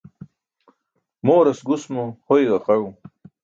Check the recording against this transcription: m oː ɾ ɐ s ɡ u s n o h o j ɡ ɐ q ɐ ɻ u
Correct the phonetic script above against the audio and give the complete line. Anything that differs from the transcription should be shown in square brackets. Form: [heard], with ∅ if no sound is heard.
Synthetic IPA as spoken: m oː ɾ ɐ s ɡ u s [m] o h o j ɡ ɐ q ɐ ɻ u